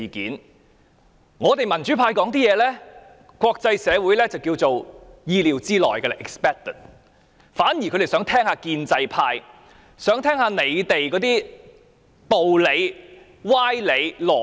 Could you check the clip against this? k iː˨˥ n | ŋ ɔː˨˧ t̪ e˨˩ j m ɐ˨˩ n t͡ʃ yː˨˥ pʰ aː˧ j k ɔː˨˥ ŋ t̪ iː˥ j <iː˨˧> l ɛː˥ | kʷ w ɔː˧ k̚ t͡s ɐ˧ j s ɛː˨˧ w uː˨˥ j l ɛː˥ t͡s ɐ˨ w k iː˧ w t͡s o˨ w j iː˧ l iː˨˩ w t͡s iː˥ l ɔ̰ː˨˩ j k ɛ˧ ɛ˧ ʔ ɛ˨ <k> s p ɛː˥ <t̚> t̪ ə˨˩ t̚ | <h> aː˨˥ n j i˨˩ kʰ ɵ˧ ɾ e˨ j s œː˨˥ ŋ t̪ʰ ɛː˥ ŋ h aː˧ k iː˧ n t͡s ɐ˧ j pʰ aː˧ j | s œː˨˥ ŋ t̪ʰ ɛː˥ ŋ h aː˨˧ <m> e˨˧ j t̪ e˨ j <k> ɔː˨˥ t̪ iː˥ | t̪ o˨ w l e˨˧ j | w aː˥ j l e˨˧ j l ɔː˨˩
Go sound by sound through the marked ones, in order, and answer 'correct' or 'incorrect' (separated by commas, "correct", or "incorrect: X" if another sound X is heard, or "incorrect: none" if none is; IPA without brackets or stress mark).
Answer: incorrect: ɛː˨˧, correct, incorrect: k̚, incorrect: f, incorrect: n, correct